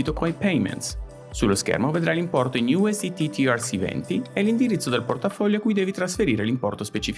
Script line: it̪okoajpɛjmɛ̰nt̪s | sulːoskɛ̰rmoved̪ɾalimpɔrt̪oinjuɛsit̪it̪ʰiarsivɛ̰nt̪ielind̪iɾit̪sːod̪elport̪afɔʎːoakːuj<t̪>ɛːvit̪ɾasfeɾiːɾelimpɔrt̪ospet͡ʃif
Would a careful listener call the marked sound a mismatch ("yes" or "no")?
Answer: yes